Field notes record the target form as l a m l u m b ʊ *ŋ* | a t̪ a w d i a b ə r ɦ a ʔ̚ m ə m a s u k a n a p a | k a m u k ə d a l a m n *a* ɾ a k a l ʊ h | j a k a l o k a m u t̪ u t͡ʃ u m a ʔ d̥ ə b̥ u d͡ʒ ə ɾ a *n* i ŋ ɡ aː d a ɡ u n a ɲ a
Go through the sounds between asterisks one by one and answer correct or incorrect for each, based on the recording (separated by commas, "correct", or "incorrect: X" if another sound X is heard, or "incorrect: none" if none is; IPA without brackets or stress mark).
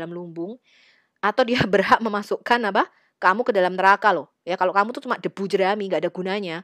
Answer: correct, incorrect: ə, incorrect: m